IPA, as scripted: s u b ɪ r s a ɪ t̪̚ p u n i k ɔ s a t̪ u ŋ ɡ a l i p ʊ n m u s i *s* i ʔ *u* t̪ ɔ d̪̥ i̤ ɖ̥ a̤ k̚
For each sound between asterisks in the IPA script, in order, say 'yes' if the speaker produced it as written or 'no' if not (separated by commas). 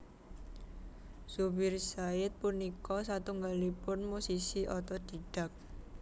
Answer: yes, no